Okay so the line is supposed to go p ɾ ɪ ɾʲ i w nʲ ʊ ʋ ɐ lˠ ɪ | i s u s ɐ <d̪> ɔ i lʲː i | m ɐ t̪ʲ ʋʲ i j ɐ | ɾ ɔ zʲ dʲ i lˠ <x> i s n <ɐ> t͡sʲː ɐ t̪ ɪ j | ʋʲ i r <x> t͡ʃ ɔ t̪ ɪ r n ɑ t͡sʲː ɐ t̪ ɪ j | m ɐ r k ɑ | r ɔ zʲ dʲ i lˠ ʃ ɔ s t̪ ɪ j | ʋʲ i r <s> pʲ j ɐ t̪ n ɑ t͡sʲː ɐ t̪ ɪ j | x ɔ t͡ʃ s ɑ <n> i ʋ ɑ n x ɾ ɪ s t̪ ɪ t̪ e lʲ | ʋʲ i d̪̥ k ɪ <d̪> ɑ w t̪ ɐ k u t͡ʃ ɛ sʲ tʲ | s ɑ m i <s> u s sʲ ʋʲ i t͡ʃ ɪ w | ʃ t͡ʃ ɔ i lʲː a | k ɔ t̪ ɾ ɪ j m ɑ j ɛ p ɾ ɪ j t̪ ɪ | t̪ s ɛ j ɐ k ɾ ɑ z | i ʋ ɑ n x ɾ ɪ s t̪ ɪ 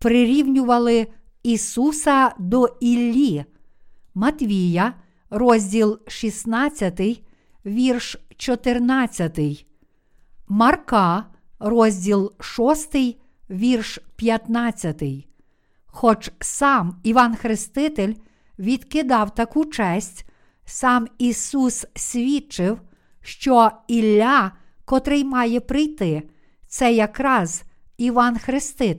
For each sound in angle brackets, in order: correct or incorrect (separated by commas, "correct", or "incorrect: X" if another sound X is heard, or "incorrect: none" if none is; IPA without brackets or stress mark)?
correct, incorrect: ʃ, incorrect: ɑ, incorrect: ʃ, incorrect: ʃ, incorrect: m, correct, correct